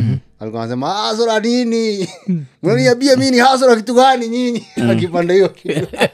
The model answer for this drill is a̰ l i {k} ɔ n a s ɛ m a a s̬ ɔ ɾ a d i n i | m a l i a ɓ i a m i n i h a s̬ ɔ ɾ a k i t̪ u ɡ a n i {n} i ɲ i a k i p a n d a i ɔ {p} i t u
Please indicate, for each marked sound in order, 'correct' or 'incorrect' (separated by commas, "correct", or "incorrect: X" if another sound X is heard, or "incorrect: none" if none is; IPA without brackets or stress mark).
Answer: correct, incorrect: ɲ, incorrect: k